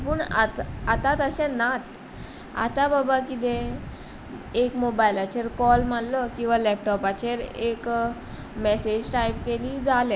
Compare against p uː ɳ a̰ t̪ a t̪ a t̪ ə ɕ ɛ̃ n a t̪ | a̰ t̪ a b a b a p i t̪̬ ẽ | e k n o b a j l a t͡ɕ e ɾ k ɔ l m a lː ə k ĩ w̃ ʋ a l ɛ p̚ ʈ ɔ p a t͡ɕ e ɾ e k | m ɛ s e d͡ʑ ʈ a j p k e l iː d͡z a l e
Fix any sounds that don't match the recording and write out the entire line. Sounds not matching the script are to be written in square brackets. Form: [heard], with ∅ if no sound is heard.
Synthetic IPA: p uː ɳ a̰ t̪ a t̪ a t̪ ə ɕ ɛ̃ n a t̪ | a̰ t̪ a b a b a [k] i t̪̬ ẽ | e k [m] o b a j l a t͡ɕ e ɾ k ɔ l m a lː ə k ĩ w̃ ʋ a l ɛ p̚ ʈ ɔ p a t͡ɕ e ɾ e k | m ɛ s e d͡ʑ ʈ a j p k e l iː d͡z a l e